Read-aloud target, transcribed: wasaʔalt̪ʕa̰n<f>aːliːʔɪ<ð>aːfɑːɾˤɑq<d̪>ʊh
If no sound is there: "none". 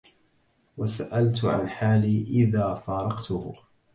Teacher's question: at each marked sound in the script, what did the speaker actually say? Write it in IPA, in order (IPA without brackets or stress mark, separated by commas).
ħ, ð, t̪